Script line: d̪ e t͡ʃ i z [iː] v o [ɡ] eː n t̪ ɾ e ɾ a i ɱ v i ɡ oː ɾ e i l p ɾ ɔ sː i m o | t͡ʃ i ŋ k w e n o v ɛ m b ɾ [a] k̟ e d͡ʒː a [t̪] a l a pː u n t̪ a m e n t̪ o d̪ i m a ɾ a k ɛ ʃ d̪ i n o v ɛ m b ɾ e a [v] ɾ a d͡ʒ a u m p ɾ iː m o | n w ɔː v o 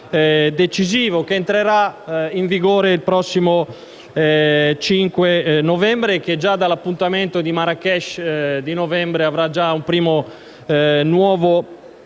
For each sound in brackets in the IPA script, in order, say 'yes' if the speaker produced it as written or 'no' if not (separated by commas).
yes, no, no, no, yes